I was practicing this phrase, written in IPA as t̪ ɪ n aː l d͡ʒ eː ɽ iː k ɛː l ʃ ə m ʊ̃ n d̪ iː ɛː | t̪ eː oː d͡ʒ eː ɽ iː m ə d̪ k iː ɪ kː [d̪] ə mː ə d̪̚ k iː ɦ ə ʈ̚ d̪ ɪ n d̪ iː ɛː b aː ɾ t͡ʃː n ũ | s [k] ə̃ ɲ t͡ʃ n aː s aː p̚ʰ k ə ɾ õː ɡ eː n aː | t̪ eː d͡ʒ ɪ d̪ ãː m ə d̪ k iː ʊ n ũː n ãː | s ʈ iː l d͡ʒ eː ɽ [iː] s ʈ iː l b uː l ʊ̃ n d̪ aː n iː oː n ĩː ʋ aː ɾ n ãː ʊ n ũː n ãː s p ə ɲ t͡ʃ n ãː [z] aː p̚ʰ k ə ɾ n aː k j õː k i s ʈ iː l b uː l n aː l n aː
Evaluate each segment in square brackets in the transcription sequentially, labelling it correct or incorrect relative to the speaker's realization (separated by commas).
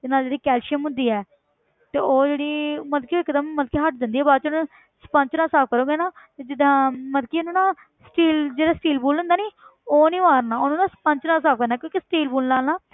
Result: correct, incorrect, incorrect, incorrect